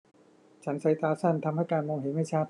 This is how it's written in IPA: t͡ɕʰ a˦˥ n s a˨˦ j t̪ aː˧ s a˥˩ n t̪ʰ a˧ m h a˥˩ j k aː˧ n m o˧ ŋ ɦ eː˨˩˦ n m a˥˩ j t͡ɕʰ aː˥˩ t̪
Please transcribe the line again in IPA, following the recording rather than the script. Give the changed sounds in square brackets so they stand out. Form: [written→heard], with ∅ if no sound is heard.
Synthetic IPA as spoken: t͡ɕʰ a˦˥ n s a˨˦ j t̪ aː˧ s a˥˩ n t̪ʰ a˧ m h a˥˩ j k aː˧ n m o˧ ŋ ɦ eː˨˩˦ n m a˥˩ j t͡ɕʰ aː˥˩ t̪